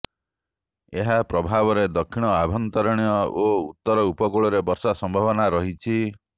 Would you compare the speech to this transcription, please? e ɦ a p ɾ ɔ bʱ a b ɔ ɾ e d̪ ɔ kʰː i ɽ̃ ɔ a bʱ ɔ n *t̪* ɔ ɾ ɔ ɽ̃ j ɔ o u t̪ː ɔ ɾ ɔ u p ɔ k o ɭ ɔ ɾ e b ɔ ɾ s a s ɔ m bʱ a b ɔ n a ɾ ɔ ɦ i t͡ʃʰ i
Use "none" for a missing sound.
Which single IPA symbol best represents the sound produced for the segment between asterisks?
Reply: t̪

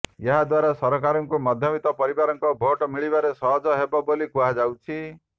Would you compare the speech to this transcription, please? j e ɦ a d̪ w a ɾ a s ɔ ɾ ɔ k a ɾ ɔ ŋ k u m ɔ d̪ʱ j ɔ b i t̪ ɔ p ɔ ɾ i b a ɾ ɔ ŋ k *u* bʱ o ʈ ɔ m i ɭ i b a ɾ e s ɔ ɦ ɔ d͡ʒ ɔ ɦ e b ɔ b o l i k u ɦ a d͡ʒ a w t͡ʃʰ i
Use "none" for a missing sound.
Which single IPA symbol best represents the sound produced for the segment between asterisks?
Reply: ɔ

